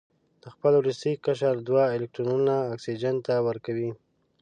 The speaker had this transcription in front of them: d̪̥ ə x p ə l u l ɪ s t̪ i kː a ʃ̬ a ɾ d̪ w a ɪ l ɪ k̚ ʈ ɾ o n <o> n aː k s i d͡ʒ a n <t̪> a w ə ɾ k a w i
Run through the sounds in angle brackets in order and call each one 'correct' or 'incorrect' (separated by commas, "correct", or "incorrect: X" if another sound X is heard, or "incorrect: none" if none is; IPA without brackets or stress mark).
incorrect: u, correct